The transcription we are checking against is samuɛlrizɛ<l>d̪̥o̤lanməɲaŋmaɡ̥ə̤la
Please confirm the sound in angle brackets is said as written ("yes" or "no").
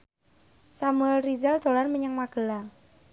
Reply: yes